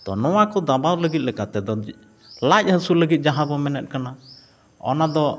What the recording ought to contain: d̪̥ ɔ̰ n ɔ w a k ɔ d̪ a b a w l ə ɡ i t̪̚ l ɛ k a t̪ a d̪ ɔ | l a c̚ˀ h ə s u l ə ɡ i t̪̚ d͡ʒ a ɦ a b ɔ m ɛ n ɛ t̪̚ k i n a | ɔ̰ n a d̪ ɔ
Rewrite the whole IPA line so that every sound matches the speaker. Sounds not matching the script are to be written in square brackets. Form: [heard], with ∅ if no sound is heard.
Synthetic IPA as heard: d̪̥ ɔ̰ n ɔ w a k ɔ d̪ a b a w l ə ɡ i t̪̚ l ɛ k a t̪ [ɛ] d̪ ɔ | l a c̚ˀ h ə s u l ə ɡ i t̪̚ d͡ʒ a ɦ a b ɔ m ɛ n ɛ t̪̚ k [a] n a | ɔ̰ n a d̪ ɔ